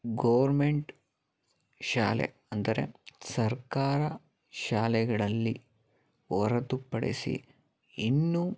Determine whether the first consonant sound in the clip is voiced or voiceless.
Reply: voiced